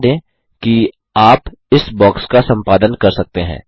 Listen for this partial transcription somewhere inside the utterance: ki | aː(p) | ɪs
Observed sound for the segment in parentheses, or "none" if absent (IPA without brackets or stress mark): p